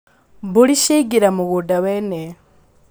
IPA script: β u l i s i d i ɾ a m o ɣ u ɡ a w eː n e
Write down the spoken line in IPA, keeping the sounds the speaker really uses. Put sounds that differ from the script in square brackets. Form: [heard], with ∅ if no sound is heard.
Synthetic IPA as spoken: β u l i [ʃ] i [ɡ] i ɾ a m [u] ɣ u [d] a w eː n e